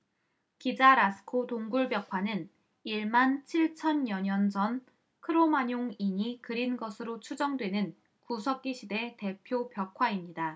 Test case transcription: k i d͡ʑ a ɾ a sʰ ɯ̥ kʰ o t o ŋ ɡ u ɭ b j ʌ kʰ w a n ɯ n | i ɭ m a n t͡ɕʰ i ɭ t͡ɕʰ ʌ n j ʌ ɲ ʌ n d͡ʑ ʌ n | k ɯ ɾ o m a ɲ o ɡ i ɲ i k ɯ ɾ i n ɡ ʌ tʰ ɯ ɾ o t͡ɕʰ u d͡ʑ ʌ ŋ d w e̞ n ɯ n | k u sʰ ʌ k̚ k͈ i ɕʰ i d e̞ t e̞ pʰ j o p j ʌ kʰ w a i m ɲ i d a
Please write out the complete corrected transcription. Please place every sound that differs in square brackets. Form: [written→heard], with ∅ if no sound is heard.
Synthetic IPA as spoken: k i d͡ʑ a ɾ a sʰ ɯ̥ kʰ o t o ŋ ɡ u ɭ b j ʌ kʰ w a n ɯ n | i ɭ m a n t͡ɕʰ i ɭ t͡ɕʰ ʌ n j ʌ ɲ ʌ n d͡ʑ ʌ n | [k→kʰ] ɯ ɾ o m a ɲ o [ɡ→ŋ] i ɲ i k ɯ ɾ i n ɡ ʌ [tʰ→sʰ] ɯ ɾ o t͡ɕʰ u d͡ʑ ʌ ŋ d w e̞ n ɯ n | k u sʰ ʌ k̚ k͈ i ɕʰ i d e̞ t e̞ pʰ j o p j ʌ kʰ w a i m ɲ i d a